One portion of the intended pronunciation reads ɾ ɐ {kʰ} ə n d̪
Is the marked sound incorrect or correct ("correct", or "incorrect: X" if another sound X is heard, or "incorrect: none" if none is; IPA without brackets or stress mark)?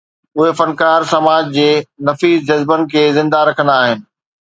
correct